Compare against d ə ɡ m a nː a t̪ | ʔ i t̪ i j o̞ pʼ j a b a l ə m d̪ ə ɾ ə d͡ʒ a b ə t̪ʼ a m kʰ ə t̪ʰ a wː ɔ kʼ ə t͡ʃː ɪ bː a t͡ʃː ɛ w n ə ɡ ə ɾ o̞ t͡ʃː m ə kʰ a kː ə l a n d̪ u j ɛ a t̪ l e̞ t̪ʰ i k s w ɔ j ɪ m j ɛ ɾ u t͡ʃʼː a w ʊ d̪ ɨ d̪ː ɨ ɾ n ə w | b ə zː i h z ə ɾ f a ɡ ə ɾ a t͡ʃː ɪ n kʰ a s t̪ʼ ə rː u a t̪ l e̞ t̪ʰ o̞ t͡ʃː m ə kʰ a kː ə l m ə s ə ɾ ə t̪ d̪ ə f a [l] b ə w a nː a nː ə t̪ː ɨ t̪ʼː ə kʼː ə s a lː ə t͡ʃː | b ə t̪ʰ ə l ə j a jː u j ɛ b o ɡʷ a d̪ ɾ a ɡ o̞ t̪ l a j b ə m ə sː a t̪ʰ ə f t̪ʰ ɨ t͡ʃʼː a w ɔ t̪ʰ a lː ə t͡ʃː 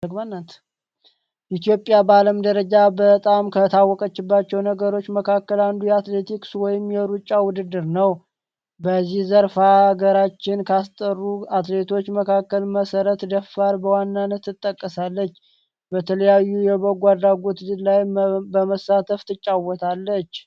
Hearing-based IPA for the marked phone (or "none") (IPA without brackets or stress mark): ɾ